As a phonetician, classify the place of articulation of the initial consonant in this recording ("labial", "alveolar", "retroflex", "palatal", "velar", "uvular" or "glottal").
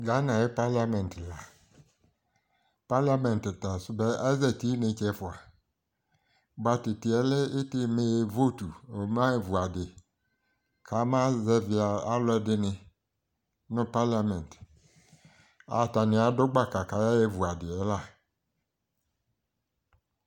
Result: velar